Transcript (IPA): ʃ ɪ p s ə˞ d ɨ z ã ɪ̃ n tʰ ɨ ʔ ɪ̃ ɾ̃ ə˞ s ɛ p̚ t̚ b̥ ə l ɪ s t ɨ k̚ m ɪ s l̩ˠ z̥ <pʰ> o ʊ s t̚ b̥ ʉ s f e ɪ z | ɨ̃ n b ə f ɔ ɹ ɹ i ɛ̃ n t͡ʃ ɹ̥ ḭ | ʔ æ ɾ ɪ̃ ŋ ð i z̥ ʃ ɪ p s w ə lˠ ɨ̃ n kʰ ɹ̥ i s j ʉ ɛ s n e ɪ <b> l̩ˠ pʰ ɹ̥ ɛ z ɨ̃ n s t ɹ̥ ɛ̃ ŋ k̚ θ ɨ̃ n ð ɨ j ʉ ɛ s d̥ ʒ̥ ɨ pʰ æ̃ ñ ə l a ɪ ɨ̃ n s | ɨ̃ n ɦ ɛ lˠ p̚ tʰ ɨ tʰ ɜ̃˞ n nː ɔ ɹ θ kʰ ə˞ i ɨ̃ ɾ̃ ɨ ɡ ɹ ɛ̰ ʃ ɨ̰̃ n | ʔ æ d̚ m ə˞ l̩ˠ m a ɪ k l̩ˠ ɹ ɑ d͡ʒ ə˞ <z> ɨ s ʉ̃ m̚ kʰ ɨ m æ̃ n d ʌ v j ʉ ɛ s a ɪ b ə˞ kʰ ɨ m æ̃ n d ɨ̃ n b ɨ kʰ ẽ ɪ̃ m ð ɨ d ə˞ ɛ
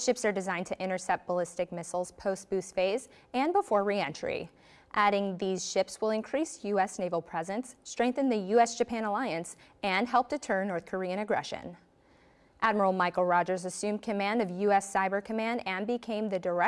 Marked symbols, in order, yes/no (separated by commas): yes, no, yes